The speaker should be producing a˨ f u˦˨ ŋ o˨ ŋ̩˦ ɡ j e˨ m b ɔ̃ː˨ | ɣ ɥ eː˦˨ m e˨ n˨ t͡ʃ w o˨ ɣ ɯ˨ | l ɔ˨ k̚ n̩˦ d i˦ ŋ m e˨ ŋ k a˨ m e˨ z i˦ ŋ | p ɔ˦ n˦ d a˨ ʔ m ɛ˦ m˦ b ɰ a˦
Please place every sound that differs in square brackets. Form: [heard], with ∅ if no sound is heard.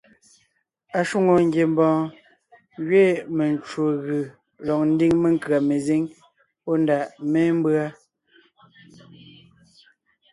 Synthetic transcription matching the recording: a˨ [ʃ] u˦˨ ŋ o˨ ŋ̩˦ ɡ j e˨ m b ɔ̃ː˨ | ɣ ɥ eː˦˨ m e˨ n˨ t͡ʃ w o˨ ɣ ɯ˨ | l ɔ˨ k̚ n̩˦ d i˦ ŋ m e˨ ŋ k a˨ m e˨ z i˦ ŋ | p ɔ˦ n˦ d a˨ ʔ m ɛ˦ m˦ b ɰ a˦